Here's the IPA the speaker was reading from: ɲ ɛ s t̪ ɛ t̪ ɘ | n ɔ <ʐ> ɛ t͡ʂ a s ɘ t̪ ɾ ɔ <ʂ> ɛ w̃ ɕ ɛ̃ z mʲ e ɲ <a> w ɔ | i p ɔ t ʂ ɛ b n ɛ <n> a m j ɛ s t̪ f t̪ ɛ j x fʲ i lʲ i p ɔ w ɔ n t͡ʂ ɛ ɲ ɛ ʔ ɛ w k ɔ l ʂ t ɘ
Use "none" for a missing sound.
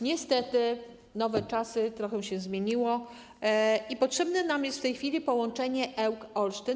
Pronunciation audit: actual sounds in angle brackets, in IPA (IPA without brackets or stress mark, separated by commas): v, x, i, n